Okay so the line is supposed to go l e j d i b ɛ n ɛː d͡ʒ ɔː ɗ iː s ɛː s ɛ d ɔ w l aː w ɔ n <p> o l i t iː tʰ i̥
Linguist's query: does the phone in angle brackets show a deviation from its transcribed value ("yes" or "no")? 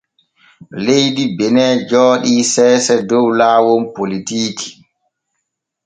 no